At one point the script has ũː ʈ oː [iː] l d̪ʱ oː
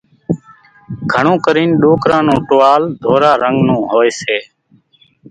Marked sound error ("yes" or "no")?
yes